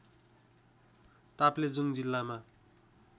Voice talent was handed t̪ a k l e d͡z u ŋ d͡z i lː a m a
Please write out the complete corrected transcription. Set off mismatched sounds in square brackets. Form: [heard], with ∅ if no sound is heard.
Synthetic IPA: t̪ a [p] l e d͡z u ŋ d͡z i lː a m a

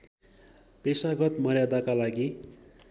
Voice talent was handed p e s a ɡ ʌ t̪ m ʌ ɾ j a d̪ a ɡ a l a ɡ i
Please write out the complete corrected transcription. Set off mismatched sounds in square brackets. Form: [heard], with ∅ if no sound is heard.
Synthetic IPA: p e s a ɡ ʌ t̪ m ʌ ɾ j a d̪ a [k] a l a ɡ i

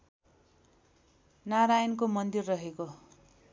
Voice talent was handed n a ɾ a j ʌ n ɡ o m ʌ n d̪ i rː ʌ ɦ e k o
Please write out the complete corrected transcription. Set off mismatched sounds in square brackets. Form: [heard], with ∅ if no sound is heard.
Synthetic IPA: n a ɾ a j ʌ n [k] o m ʌ n d̪ i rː ʌ ɦ e k o

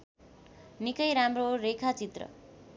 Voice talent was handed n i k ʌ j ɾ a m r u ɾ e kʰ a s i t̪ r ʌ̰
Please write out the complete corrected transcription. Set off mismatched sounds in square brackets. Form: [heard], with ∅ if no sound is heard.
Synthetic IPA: n i k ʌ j ɾ a m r [o] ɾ e kʰ a [t͡s] i t̪ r ʌ̰

